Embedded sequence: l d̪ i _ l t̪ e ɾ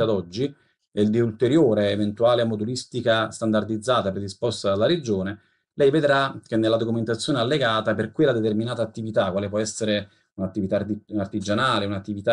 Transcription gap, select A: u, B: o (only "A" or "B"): A